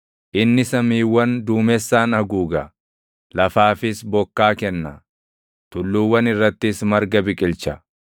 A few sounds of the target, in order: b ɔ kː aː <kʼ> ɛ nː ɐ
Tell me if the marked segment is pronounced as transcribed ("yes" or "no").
no